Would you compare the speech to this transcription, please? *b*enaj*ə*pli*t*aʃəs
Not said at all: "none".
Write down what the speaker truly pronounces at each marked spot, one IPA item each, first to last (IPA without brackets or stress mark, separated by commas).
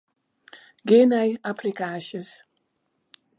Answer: ɡ, a, k